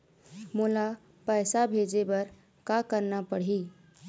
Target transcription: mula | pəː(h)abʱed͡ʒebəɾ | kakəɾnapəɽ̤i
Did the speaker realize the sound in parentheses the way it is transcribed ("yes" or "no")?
no